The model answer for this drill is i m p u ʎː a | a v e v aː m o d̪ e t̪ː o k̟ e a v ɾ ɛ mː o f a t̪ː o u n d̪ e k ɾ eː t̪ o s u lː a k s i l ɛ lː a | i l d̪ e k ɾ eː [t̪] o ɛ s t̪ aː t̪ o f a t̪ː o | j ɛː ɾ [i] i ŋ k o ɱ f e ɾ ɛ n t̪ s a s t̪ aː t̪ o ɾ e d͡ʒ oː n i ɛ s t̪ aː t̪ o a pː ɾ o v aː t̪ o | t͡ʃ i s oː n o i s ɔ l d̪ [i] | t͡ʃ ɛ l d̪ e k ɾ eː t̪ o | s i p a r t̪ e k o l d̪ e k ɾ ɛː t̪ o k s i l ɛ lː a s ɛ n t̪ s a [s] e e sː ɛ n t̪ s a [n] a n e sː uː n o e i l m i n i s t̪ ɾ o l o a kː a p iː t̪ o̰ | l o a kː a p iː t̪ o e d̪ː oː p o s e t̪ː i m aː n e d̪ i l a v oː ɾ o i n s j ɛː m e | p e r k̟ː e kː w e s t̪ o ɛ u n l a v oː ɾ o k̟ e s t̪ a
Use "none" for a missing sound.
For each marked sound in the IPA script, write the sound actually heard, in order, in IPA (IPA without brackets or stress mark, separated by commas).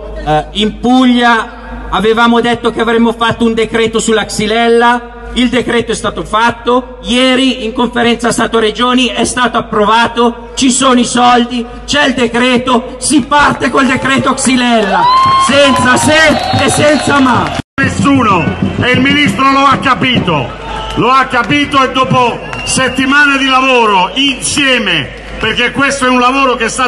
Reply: t̪, i, i, s, m